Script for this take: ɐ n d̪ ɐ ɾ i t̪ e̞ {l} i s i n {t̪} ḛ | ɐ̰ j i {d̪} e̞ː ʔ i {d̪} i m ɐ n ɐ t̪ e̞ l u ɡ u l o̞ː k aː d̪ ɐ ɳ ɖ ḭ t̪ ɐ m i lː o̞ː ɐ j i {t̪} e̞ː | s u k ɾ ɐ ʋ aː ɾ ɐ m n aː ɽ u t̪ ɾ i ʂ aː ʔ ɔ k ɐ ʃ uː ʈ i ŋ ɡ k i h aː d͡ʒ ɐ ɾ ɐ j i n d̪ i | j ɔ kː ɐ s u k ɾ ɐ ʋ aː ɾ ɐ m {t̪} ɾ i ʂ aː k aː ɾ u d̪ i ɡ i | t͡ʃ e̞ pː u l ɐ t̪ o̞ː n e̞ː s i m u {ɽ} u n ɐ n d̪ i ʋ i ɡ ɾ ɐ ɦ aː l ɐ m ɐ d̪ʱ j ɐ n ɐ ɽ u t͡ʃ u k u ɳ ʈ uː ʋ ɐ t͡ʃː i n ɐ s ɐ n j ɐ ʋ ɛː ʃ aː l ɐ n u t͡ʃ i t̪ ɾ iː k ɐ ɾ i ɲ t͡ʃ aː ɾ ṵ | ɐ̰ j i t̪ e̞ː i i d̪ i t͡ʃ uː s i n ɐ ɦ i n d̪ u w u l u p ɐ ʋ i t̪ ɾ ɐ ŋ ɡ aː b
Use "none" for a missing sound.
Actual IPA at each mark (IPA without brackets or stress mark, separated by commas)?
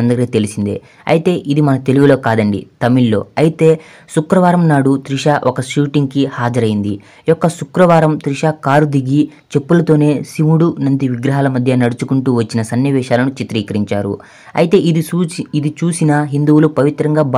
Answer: l, d̪, t̪, d̪, t̪, t̪, ɽ